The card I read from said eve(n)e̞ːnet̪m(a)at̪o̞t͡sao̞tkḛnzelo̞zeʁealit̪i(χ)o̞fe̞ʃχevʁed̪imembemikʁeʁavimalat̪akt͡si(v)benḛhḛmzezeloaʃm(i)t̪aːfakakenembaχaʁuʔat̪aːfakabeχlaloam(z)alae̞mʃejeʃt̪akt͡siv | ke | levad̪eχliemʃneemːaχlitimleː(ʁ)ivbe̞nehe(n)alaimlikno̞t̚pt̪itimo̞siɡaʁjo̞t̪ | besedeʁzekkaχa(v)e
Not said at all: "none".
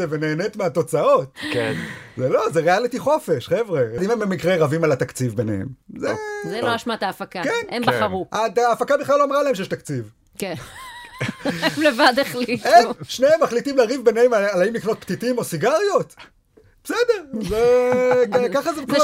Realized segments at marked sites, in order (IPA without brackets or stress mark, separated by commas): n, e, χ, v, a, ʁ, ʁ, m, z